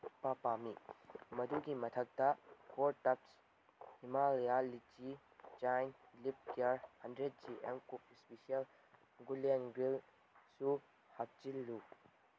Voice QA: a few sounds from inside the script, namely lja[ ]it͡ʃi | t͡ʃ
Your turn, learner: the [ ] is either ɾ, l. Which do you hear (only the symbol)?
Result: l